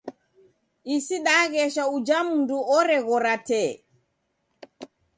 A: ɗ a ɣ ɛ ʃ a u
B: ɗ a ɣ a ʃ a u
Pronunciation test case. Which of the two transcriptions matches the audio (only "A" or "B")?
A